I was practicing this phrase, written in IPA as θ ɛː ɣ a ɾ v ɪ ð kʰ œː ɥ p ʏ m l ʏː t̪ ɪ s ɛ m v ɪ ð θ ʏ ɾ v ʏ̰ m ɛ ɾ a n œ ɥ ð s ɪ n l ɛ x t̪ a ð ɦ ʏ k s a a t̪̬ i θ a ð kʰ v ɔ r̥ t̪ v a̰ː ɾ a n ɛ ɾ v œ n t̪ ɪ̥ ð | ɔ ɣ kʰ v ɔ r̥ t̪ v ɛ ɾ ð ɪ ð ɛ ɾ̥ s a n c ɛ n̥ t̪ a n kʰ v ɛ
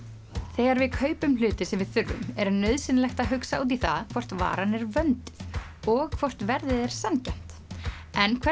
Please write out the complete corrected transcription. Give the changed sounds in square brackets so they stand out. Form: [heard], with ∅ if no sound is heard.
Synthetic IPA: θ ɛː ɣ a ɾ v ɪ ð kʰ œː ɥ p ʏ m l ʏː t̪ ɪ s ɛ m v ɪ ð θ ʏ ɾ v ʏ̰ m ɛ ɾ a n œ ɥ ð s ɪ n l ɛ x t̪ a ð ɦ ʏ k s a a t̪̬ i θ a ð kʰ v ɔ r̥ t̪ v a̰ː ɾ a n ɛ ɾ v œ n t̪ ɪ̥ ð | ɔ ɣ kʰ v ɔ r̥ t̪ v ɛ ɾ ð ɪ ð ɛ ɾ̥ s a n c ɛ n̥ t̪ [ɛ] n kʰ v ɛ